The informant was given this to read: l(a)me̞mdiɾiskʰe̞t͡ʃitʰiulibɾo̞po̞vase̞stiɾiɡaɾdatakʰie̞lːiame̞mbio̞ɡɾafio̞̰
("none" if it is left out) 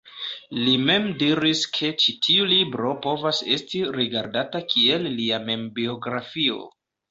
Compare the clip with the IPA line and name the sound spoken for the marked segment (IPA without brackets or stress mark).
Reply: i